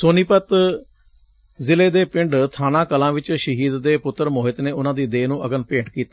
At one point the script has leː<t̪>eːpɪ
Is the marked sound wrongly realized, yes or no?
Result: yes